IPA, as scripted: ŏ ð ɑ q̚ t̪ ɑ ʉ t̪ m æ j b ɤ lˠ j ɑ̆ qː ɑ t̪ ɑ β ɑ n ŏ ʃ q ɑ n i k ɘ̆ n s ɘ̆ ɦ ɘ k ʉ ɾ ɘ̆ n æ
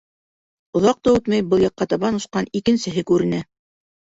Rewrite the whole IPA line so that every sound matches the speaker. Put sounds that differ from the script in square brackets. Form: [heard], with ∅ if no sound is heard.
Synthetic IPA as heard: ŏ ð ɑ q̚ t̪ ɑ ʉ t̪ m æ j b ɤ lˠ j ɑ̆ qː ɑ t̪ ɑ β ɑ n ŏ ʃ q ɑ n i k ɘ̆ n s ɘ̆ ɦ ɘ k ʉ ɾ ɘ̆ n æ